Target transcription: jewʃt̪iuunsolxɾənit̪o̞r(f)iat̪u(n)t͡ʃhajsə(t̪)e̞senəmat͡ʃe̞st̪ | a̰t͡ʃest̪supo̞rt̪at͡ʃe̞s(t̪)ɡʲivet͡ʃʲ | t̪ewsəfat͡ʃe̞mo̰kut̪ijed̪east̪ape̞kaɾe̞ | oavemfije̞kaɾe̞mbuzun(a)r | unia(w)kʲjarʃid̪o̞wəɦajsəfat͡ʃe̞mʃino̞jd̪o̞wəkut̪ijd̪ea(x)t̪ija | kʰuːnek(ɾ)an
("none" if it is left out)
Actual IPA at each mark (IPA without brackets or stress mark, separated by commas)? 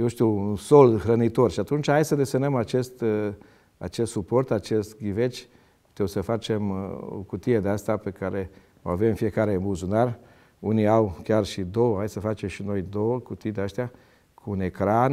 ʃ, n, d̪, t̪, a, w, s, ɾ